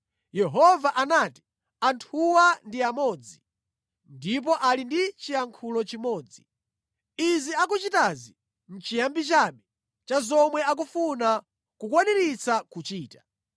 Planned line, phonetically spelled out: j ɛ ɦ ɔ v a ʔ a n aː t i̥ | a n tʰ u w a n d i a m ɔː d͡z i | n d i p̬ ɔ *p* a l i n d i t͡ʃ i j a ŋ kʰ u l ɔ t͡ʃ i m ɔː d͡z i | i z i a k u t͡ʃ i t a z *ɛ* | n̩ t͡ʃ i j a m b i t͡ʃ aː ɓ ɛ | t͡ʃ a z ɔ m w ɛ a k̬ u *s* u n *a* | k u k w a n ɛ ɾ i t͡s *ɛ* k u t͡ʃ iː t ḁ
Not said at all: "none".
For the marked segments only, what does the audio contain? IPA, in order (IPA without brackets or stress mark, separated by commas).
ʔ, i, f, a, a